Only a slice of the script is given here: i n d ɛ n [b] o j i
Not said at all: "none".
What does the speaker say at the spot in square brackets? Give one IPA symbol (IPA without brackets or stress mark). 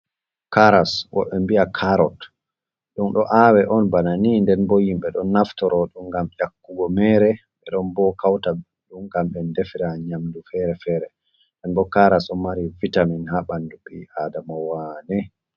b